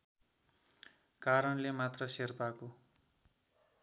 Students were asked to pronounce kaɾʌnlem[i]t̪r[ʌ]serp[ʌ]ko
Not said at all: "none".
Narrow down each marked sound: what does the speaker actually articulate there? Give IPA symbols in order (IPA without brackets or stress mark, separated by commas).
a, ʌ, a